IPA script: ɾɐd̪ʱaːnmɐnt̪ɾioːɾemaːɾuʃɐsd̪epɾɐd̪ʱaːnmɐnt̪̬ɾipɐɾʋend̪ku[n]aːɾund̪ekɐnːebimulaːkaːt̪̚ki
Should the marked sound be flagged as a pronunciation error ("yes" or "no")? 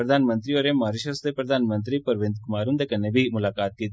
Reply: yes